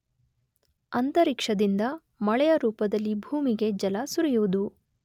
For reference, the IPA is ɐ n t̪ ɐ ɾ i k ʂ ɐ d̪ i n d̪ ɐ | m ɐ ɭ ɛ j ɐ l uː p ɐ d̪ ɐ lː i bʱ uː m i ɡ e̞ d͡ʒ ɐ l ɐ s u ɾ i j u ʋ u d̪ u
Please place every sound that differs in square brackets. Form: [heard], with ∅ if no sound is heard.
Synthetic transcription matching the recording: ɐ n t̪ ɐ ɾ i k ʂ ɐ d̪ i n d̪ ɐ | m ɐ ɭ ɛ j ɐ [ɾ] uː p ɐ d̪ ɐ lː i bʱ uː m i ɡ e̞ d͡ʒ ɐ l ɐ s u ɾ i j u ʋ u d̪ u